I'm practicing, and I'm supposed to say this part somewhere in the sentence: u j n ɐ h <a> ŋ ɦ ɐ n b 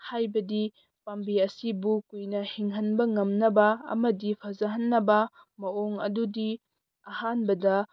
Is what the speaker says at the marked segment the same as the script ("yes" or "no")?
no